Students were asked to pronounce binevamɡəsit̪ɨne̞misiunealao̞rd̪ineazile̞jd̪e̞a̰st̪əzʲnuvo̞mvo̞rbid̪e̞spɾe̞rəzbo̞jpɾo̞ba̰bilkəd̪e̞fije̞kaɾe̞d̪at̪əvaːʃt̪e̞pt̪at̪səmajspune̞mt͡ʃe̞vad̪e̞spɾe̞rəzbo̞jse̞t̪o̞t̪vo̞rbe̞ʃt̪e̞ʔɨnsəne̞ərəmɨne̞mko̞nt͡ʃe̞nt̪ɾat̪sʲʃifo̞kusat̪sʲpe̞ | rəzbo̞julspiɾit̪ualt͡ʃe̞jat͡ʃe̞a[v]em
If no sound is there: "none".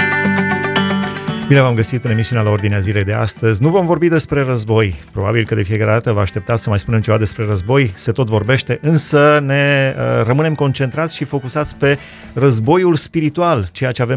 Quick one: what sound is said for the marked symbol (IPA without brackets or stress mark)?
v